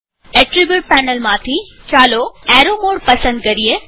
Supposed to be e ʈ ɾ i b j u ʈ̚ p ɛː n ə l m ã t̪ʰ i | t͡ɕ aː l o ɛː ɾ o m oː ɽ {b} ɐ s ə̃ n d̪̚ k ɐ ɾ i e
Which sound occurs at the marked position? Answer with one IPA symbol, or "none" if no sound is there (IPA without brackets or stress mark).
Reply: p